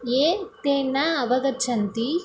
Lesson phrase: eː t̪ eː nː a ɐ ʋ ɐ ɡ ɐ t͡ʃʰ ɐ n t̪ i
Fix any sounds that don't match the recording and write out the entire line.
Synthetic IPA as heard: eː t̪ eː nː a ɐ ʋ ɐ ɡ ɐ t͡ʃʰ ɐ n t̪ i